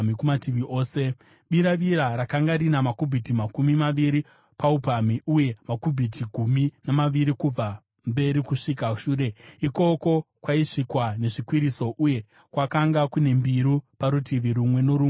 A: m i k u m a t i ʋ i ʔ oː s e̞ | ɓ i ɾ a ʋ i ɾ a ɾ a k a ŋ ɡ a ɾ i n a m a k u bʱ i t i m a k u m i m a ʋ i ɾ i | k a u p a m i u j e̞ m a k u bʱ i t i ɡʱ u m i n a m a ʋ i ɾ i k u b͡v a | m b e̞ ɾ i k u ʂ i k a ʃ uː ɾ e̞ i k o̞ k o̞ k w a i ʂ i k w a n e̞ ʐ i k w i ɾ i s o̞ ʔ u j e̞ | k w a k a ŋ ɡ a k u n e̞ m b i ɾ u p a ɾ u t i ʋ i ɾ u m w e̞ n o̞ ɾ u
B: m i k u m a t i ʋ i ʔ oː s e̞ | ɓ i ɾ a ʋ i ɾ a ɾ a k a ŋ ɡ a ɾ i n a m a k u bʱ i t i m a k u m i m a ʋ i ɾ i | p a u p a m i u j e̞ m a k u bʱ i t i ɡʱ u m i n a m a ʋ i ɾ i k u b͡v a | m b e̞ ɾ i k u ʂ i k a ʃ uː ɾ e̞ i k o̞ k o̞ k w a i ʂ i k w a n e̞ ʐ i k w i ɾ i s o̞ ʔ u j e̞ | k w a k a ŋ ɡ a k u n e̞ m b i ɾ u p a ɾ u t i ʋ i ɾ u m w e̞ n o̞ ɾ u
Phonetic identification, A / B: B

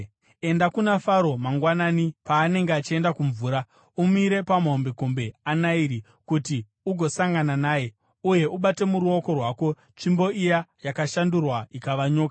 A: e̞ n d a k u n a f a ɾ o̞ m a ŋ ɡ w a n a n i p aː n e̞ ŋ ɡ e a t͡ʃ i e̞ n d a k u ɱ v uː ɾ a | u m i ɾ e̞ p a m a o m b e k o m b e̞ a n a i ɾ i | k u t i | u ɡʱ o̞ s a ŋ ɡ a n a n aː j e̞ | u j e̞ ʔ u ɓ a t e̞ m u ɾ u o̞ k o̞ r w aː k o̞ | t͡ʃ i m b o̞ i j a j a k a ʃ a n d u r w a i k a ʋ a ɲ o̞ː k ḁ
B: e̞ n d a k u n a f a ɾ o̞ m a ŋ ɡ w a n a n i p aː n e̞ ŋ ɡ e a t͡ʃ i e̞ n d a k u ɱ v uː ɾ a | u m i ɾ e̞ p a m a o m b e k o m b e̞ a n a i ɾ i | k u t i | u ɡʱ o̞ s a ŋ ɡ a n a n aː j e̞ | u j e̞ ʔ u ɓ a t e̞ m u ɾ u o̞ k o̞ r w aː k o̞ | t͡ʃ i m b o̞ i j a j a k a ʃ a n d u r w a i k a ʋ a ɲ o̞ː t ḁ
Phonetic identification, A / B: A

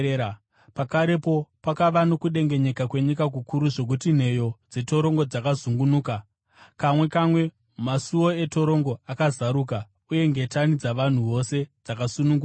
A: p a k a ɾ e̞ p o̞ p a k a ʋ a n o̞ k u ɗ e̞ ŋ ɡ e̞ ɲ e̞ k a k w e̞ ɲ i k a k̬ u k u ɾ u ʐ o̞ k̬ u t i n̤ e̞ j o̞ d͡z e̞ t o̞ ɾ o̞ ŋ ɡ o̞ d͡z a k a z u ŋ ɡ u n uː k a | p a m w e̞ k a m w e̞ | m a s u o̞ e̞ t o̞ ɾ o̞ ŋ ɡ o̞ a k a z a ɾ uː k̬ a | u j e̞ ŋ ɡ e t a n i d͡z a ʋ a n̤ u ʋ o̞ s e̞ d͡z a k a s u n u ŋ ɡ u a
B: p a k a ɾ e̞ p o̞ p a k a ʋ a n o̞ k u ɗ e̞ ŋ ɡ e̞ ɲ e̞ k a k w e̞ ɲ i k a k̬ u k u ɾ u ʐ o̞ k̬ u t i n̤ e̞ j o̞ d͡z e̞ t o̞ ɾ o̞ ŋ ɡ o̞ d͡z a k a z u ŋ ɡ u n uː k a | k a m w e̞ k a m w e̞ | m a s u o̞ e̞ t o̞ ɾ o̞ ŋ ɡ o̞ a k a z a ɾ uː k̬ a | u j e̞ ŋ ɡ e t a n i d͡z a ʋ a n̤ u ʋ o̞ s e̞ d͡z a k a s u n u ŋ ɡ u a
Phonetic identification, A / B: B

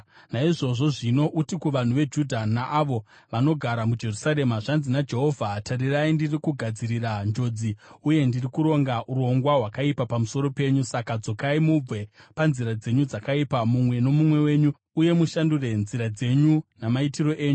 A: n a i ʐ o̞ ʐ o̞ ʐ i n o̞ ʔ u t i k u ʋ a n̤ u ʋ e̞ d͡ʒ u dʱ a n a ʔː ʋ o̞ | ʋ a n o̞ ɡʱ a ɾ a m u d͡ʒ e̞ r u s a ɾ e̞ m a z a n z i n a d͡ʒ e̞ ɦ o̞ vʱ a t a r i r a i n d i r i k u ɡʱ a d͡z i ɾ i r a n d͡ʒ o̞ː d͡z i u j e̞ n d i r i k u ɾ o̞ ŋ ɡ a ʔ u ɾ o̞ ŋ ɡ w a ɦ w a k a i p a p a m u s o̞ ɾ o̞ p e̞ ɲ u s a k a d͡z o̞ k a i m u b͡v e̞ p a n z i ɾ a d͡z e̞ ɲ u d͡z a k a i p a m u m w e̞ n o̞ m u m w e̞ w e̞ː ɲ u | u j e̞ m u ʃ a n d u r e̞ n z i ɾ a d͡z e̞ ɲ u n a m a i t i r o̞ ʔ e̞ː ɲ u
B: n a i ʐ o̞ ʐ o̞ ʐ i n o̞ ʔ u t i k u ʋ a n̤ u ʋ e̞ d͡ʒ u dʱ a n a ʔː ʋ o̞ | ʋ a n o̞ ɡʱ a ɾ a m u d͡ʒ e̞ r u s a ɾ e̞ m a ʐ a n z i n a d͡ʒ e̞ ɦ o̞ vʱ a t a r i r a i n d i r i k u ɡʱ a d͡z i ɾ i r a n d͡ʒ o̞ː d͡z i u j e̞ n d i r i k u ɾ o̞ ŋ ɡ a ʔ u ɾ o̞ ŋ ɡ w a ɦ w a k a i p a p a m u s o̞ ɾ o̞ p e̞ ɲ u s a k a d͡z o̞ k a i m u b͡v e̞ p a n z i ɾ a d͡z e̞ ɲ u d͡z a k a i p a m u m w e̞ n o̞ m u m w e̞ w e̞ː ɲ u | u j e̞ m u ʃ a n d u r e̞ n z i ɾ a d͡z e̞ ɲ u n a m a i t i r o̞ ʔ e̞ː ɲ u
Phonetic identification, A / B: B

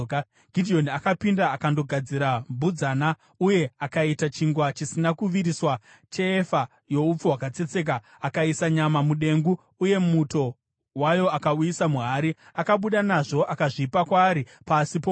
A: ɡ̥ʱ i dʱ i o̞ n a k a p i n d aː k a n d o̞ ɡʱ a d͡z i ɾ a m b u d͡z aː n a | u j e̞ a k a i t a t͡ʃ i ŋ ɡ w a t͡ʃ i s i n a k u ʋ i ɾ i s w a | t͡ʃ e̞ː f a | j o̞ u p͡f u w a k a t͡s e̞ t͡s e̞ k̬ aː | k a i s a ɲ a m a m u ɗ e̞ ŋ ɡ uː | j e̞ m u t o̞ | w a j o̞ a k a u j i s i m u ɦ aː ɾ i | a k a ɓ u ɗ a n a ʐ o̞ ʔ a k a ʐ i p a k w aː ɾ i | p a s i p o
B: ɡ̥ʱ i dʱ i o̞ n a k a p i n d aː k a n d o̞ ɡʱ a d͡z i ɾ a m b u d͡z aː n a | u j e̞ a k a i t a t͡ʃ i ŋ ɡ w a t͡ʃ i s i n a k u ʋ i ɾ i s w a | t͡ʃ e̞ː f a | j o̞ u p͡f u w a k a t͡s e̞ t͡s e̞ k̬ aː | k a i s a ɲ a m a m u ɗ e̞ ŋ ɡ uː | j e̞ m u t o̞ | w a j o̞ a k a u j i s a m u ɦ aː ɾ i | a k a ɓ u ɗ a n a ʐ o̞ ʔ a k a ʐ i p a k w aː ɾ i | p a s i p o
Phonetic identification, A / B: B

